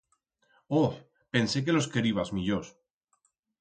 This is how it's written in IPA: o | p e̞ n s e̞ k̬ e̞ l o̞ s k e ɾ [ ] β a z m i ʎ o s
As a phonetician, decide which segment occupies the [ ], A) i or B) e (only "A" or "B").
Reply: A